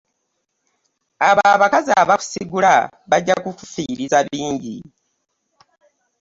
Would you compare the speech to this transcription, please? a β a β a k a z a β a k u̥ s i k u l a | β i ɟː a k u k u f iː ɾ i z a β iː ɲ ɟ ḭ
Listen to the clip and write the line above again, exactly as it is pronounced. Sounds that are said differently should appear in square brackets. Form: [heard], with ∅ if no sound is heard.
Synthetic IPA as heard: a β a β a k a z a β a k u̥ s i [ɡ] u l a | β [a] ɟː a k u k u f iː ɾ i z a β iː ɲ ɟ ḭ